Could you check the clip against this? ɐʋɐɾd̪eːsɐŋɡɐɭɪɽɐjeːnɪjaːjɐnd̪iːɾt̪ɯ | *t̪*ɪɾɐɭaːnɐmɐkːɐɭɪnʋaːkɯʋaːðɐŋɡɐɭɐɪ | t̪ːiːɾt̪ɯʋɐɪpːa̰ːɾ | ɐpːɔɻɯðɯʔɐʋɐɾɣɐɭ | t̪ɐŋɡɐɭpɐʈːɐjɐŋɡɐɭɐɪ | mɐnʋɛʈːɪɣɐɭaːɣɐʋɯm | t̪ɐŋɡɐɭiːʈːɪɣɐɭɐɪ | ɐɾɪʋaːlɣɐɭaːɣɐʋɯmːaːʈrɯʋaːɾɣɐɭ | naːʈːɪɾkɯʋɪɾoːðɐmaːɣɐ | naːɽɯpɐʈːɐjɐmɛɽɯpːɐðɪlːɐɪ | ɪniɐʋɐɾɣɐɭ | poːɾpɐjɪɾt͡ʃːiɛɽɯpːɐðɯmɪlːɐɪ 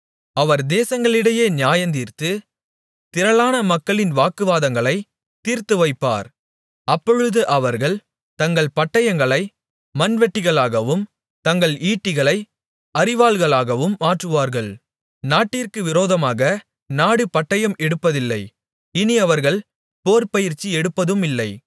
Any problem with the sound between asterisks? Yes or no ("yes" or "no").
no